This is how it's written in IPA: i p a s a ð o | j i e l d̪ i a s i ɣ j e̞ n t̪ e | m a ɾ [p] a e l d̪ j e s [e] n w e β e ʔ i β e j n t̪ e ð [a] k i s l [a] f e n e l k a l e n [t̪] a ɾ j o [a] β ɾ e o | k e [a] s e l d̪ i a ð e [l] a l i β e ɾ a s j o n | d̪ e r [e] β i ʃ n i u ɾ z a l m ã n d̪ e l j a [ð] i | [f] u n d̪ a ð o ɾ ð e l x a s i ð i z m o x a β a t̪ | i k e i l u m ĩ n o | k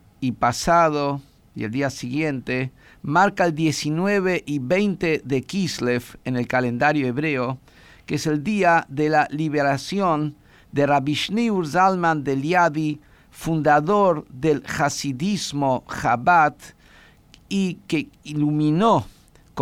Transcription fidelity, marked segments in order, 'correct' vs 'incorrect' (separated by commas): incorrect, incorrect, incorrect, incorrect, incorrect, incorrect, incorrect, correct, incorrect, correct, correct